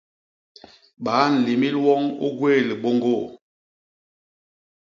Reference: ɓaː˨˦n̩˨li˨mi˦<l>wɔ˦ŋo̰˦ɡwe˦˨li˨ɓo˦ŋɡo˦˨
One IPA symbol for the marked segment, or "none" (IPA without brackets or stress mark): l